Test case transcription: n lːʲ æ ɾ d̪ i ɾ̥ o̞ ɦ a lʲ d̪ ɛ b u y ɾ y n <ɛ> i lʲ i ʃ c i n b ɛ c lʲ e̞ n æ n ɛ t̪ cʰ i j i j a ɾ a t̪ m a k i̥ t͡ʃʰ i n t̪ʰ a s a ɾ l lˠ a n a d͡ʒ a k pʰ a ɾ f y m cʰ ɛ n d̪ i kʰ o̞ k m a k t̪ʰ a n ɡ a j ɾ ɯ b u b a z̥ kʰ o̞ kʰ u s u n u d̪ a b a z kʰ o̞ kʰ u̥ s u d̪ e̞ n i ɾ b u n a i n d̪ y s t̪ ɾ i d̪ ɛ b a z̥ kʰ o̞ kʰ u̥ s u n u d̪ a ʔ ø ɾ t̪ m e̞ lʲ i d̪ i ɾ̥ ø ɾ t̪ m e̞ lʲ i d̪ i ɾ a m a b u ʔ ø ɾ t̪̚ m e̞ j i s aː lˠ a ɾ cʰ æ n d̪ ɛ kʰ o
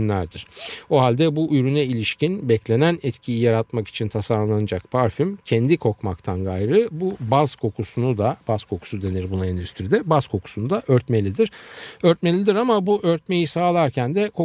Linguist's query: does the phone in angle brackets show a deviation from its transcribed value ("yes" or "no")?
no